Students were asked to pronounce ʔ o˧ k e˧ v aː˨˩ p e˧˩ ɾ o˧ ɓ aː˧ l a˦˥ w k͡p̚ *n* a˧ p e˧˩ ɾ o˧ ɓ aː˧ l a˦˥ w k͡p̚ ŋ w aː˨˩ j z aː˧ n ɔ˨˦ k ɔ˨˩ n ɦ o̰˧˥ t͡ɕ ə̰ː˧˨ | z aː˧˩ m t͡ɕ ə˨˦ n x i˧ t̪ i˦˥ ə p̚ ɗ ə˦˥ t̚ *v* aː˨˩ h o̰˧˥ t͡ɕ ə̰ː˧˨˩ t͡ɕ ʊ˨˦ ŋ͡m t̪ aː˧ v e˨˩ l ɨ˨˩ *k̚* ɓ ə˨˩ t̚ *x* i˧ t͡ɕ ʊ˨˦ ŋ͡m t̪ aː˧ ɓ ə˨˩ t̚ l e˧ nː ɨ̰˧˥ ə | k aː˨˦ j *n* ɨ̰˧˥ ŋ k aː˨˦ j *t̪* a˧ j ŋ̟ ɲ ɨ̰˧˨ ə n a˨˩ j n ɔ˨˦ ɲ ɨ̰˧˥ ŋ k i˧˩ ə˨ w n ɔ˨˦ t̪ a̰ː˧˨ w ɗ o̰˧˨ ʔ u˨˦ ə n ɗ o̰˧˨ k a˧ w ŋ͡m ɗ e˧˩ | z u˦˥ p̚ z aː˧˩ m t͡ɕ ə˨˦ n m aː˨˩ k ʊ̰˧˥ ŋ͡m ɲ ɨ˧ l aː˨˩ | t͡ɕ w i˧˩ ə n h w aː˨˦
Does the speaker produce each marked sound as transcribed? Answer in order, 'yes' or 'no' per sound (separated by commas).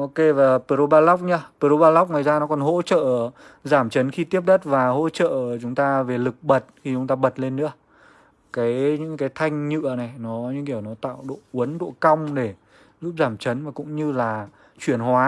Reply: no, yes, yes, yes, no, no